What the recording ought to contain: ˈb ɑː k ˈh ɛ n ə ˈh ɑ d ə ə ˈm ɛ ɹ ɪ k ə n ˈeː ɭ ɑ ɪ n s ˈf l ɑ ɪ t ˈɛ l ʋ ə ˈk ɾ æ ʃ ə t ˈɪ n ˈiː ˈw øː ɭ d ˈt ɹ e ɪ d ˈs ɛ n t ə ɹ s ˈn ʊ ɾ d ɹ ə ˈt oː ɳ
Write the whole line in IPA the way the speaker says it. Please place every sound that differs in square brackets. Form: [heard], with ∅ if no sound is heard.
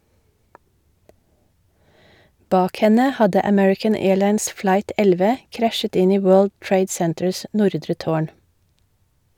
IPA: ˈb ɑː k ˈh ɛ n ə ˈh ɑ d ə ə ˈm ɛ ɹ ɪ k ə n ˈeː ɭ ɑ ɪ n s ˈf l ɑ ɪ t ˈɛ l ʋ ə ˈk ɾ æ ʃ ə t ˈɪ n ˈiː ˈw øː ɭ d ˈt ɹ e ɪ d ˈs ɛ n t ə ɹ s ˈn ʊ ɾ d [ɾ] ə ˈt oː ɳ